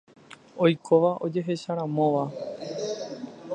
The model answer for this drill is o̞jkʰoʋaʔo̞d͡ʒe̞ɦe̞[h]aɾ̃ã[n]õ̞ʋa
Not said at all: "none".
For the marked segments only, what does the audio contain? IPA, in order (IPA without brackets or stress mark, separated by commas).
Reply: ʃ, m